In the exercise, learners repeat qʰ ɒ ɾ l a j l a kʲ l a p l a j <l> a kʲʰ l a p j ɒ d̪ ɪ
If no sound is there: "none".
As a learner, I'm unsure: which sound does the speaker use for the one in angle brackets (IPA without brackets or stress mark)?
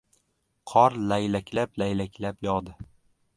l